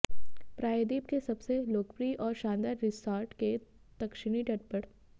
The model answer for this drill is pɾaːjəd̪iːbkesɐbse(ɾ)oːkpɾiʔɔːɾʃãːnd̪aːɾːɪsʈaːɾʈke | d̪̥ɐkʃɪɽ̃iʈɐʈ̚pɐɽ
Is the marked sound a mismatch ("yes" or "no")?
yes